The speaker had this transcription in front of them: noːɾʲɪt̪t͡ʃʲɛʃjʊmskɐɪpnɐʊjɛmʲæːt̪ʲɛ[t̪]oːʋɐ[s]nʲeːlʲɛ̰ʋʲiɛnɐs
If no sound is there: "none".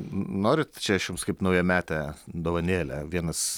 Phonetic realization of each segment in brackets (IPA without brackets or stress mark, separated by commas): d̪, none